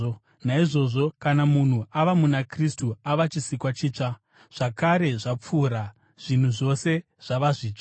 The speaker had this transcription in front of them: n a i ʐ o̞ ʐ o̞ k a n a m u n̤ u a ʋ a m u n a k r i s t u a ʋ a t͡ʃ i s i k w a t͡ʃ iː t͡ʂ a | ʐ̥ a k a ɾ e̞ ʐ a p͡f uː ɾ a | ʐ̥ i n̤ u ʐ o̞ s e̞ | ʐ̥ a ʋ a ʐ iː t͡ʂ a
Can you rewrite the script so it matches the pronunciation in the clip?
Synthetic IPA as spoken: n a i ʐ o̞ ʐ o̞ k a n a m u n̤ u a ʋ a m u n a k r i s t u a ʋ a t͡ʃ i s i k w a t͡ʃ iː t͡ʂ a | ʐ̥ a k a ɾ e̞ ʐ a p͡f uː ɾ a | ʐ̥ i n̤ u ʐ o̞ s e̞ | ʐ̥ a ʋ a ʐ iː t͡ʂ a